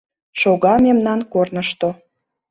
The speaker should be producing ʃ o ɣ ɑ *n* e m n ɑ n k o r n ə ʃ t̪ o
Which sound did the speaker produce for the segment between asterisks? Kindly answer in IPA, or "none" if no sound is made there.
m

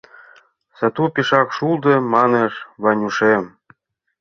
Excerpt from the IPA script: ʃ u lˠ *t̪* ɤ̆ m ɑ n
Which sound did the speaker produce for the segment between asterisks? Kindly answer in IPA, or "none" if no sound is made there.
d̪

